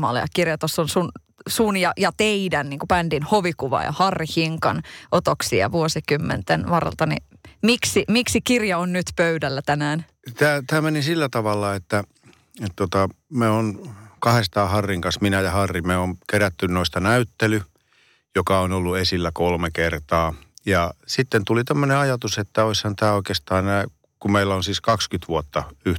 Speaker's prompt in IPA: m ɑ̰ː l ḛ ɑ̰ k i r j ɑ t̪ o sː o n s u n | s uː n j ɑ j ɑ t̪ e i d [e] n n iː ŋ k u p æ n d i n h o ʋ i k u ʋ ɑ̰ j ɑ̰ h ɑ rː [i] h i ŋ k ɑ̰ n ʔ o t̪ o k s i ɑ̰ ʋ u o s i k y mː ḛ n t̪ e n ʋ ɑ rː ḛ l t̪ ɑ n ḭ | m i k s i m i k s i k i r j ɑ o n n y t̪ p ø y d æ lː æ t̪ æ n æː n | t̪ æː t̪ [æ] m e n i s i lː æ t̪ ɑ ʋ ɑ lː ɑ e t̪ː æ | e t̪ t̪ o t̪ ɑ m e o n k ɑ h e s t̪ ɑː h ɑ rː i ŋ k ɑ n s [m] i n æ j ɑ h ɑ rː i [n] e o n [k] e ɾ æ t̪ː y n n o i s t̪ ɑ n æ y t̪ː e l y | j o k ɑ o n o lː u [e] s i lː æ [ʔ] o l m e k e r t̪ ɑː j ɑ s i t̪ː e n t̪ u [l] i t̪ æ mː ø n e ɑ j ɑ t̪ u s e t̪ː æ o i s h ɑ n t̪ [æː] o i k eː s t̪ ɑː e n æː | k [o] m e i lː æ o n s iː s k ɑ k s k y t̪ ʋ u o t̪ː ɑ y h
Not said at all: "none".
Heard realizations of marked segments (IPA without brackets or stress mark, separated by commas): æ, i, æː, m, m, k, e, k, l, æː, u